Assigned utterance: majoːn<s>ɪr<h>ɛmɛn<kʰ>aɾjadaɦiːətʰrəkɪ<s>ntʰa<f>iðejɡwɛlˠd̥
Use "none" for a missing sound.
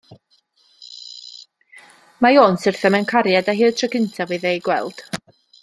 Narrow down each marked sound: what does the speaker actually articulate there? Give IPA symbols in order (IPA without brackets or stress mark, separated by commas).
s, θ, kʰ, none, v